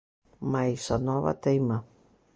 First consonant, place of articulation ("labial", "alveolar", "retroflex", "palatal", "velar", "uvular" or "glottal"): labial